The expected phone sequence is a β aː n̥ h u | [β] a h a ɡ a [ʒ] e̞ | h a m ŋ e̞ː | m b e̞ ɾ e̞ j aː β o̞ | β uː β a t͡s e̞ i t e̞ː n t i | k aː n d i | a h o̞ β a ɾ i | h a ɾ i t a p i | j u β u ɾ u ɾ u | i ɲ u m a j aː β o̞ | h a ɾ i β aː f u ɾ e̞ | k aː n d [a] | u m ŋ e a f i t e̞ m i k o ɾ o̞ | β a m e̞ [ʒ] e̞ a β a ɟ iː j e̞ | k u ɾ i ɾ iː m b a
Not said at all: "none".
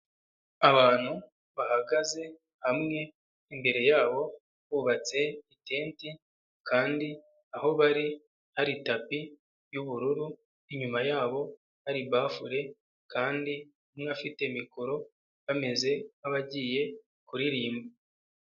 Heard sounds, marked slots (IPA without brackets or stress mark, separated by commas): β, z, i, z